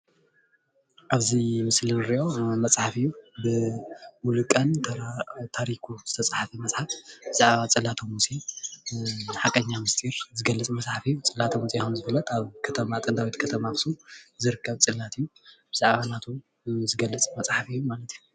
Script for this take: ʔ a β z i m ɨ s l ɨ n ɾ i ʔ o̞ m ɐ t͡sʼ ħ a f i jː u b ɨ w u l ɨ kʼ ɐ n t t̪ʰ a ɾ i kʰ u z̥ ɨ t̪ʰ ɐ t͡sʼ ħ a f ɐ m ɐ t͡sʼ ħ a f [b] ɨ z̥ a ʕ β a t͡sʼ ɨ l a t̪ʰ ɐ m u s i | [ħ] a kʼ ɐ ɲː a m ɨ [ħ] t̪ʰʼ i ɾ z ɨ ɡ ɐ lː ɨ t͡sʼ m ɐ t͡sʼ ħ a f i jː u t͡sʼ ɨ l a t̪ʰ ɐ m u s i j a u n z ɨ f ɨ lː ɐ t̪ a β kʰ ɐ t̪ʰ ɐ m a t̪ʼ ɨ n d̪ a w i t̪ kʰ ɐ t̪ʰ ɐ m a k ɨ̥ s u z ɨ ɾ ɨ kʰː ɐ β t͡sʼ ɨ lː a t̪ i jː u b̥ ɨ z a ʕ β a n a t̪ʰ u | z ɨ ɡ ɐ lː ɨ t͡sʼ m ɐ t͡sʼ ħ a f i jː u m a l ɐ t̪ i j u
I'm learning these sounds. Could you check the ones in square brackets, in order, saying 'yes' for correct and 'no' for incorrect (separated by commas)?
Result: yes, yes, no